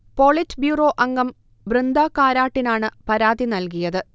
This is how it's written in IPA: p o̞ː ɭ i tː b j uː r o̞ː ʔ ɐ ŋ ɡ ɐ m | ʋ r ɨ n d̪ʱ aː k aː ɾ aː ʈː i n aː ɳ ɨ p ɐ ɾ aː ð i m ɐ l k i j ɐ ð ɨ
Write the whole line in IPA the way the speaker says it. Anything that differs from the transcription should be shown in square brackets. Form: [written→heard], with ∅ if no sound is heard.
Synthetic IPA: p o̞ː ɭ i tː b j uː r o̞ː ʔ ɐ ŋ ɡ ɐ m | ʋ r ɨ n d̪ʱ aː k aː ɾ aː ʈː i n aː ɳ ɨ p ɐ ɾ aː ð i [m→n] ɐ l k i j ɐ ð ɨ